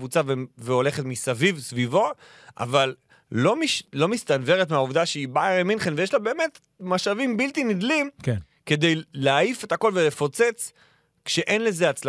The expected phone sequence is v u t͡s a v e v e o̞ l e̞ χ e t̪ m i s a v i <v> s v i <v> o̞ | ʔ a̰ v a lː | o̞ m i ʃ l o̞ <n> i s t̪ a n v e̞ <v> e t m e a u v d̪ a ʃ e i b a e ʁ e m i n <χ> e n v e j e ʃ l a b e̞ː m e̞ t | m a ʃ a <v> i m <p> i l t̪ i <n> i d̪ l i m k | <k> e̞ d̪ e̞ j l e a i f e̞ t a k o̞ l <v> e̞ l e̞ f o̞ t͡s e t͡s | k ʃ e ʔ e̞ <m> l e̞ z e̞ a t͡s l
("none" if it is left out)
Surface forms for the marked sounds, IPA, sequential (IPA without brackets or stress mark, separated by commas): v, v, m, ʁ, χ, v, b, n, k, v, n